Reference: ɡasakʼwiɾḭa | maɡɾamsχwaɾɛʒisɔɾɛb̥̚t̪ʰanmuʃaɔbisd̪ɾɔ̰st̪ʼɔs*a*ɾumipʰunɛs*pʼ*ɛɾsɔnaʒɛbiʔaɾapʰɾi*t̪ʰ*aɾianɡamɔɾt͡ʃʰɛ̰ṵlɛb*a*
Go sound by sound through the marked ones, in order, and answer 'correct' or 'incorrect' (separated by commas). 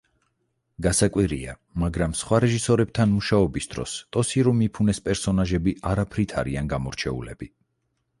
incorrect, correct, correct, incorrect